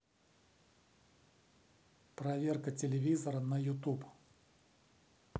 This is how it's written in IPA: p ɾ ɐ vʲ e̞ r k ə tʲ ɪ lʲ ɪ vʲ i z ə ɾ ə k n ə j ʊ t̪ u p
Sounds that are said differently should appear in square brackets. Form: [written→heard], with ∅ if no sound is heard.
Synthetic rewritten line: p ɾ ɐ vʲ e̞ r k ə tʲ ɪ lʲ ɪ vʲ i z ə ɾ ə [k→∅] n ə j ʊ t̪ u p